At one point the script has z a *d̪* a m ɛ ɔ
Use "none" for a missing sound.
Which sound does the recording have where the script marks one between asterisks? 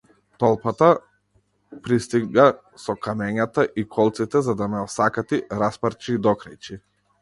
d̪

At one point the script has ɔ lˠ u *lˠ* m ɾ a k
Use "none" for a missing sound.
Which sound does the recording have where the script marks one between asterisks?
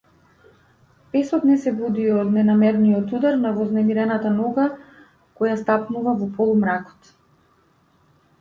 none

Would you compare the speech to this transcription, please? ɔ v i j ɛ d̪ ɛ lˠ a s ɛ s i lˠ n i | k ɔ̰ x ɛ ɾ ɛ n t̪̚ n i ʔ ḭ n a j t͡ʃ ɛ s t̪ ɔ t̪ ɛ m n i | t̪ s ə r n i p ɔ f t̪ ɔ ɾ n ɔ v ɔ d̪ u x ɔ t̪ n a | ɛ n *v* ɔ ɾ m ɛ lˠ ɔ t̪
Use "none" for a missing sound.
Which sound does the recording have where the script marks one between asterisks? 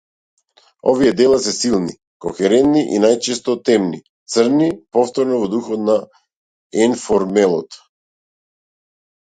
f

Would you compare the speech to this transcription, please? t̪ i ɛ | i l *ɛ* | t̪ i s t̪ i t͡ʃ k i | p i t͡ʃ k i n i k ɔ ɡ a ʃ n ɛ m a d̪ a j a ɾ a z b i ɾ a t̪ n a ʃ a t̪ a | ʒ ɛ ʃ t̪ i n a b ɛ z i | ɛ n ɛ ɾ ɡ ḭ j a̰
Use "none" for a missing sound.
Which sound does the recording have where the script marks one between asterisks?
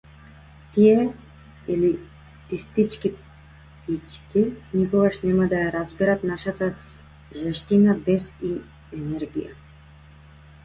i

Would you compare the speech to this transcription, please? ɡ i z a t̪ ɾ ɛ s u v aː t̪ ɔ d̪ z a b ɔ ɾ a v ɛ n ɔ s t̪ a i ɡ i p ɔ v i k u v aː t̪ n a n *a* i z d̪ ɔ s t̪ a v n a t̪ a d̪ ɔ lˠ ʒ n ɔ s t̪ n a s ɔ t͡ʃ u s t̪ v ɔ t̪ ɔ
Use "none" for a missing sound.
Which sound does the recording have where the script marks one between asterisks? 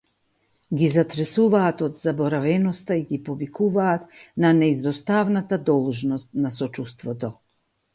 ɛ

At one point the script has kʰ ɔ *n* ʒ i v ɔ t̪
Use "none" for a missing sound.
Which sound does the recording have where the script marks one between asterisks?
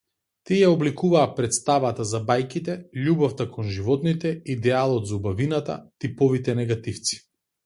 n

